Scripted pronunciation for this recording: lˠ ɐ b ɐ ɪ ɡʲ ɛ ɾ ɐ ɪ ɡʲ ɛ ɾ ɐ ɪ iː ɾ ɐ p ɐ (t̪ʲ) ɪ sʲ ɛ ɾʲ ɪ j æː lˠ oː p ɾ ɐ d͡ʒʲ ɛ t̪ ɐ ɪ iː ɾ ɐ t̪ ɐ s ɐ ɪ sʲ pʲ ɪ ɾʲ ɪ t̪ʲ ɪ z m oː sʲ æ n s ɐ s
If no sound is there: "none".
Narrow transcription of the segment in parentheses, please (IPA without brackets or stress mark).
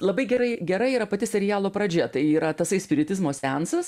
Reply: t̪ʲ